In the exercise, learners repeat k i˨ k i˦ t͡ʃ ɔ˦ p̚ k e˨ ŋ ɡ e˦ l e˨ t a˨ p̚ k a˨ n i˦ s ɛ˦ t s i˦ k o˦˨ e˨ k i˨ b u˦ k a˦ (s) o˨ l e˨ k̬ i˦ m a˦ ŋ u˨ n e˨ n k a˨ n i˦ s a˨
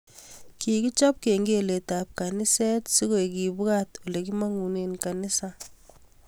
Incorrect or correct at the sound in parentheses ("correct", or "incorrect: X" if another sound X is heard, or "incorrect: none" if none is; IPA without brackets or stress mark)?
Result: incorrect: t